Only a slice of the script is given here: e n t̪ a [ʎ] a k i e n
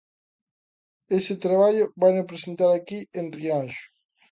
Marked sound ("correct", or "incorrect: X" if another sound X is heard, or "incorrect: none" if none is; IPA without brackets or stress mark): incorrect: ɾ